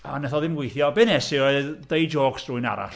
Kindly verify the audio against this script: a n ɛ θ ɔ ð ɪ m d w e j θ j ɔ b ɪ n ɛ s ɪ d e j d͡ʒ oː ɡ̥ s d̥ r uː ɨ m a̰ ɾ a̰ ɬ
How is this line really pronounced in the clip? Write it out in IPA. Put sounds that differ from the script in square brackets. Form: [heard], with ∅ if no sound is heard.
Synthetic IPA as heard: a n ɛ θ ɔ ð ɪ m [ɡ] w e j θ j ɔ b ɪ n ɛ s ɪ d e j d͡ʒ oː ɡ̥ s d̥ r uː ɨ [n] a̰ ɾ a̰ ɬ